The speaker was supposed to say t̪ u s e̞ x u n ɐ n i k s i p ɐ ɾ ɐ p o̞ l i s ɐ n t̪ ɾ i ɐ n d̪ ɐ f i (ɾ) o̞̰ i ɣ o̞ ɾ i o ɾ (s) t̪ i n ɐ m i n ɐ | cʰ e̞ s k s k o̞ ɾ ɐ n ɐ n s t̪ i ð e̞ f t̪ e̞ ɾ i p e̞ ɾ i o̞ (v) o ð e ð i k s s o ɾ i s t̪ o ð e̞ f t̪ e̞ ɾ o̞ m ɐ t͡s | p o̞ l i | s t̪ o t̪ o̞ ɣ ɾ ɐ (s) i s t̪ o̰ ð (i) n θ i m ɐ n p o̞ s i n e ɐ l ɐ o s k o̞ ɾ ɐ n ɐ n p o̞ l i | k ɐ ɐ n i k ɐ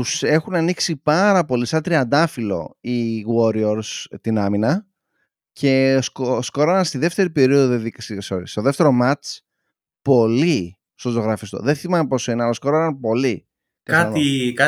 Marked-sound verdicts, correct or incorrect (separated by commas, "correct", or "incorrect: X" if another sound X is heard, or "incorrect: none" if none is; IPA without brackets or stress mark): incorrect: l, correct, incorrect: ð, incorrect: f, incorrect: e